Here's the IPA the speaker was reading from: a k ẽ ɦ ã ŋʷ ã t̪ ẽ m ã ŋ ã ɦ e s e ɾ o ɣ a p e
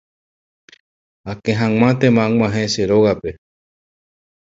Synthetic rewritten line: a k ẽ ɦ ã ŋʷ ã t̪ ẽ m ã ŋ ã ɦ e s e ɾ o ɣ a p e